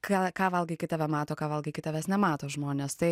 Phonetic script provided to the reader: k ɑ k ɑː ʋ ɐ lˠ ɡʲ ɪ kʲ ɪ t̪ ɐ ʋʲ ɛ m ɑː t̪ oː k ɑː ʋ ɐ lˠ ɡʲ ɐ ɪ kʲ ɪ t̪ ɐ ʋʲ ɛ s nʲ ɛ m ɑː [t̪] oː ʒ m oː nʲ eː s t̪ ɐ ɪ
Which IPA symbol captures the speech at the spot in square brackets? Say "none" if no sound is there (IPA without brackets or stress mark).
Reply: t̪